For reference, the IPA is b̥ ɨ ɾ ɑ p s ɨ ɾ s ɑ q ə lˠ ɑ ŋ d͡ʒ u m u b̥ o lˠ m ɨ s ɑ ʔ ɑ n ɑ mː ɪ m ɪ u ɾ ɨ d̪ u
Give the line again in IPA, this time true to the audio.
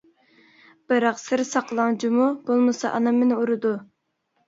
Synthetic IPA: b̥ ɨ ɾ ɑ q s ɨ ɾ s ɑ q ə lˠ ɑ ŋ d͡ʒ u m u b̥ o lˠ m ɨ s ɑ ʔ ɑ n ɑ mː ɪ n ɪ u ɾ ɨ d̪ u